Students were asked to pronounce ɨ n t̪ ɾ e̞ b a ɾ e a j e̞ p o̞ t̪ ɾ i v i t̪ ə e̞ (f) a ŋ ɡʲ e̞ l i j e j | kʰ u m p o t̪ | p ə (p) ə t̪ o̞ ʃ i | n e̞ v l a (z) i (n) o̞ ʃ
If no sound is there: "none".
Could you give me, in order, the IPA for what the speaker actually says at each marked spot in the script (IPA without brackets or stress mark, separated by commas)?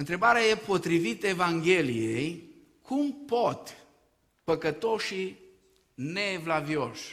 v, k, v, none